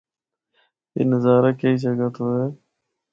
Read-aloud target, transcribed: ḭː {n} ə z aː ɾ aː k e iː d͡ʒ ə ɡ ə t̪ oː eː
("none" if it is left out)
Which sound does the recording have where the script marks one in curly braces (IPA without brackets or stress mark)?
n